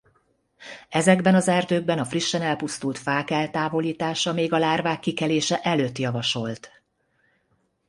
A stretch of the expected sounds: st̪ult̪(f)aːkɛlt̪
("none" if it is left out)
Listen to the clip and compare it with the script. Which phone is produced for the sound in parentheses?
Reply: f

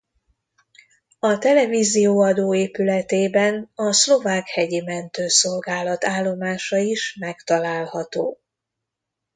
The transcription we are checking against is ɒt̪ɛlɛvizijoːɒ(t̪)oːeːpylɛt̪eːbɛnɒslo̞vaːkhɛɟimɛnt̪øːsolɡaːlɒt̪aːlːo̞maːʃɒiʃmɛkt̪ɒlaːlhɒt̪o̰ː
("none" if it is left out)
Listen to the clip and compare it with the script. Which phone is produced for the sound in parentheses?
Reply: d̪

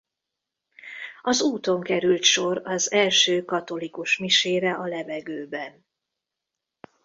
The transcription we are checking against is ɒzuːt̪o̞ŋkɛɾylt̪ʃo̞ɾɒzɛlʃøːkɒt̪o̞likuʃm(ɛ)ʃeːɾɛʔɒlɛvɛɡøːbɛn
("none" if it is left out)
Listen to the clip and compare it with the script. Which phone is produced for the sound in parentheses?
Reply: i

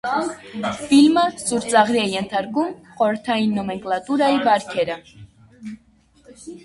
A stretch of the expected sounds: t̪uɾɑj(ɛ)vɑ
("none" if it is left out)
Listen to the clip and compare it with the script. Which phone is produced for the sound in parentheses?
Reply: i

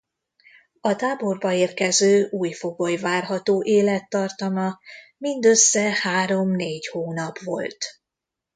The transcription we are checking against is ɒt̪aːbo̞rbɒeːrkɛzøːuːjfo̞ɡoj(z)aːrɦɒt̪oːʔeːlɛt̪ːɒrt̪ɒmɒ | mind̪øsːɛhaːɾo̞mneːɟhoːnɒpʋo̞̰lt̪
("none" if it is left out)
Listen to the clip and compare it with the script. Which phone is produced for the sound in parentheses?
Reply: v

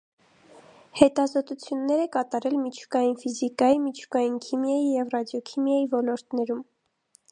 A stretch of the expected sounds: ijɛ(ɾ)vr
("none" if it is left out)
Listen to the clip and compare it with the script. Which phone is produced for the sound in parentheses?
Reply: none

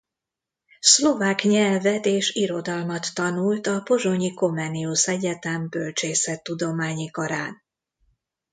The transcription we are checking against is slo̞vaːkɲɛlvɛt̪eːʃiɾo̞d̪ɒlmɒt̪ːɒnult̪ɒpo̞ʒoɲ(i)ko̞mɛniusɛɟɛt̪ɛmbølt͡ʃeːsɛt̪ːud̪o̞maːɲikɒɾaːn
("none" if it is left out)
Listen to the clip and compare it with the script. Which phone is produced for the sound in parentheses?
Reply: i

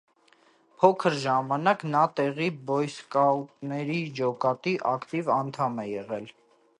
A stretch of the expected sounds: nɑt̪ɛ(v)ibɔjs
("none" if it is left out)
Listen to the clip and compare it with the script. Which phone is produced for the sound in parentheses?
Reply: ʁ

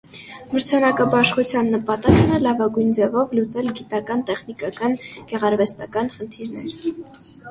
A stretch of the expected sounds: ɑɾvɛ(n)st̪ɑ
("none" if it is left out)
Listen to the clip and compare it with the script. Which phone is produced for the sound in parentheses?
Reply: none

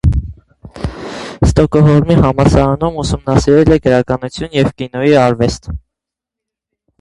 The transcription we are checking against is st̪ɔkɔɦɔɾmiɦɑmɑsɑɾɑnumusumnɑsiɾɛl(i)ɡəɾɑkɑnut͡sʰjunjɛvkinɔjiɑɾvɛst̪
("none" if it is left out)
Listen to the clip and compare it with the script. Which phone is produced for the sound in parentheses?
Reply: ɛ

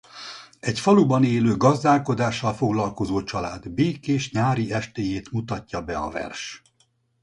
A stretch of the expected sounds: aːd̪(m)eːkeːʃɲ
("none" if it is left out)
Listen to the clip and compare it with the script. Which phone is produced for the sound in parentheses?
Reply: b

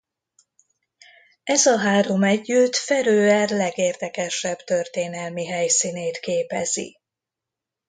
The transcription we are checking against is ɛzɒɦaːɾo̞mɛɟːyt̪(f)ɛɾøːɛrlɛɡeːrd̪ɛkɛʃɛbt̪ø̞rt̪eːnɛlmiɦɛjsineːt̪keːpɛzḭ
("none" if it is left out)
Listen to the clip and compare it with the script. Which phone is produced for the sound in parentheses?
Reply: f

